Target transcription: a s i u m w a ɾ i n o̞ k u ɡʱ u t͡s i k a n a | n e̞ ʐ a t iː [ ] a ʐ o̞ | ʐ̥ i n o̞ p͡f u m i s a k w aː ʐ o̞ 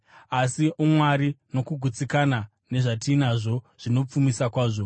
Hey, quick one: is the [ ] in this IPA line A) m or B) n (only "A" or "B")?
B